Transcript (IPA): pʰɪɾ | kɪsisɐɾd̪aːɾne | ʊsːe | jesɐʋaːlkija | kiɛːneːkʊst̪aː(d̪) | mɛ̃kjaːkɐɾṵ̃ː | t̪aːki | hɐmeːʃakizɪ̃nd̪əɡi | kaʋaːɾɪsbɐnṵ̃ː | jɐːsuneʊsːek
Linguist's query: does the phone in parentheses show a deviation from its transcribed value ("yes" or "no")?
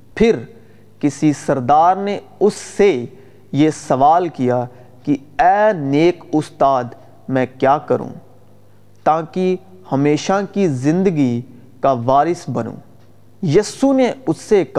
no